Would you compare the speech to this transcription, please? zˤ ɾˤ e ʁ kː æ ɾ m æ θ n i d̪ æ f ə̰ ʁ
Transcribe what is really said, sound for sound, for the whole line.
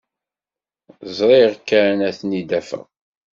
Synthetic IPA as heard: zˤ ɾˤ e ʁ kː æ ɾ n æ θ n i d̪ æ f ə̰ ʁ